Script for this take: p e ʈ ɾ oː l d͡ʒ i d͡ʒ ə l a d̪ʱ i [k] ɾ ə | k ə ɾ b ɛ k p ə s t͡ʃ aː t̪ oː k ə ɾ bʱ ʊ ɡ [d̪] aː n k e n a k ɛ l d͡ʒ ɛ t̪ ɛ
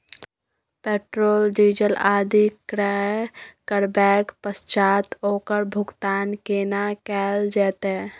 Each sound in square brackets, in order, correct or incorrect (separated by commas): correct, incorrect